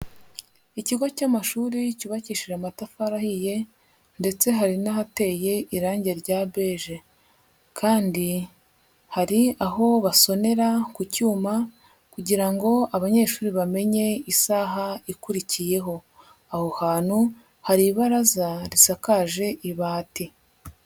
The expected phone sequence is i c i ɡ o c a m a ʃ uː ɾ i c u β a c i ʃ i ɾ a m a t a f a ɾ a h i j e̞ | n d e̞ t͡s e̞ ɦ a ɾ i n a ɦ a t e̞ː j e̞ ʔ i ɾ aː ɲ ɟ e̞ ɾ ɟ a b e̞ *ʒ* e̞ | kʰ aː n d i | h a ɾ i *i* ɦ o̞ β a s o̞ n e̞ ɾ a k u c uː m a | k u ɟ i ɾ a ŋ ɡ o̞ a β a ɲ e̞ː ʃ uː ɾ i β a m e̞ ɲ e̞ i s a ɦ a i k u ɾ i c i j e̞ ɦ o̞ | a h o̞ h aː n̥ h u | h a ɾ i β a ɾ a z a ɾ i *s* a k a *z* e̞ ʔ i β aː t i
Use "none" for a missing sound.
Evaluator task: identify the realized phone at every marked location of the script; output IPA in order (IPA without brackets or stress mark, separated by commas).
ʒ, a, s, ʒ